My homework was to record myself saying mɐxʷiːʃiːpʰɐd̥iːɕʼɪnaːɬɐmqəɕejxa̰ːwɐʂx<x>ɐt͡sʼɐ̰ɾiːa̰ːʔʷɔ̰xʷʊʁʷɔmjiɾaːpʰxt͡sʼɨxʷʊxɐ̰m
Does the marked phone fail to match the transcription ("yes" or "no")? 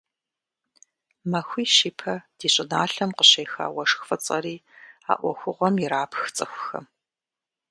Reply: yes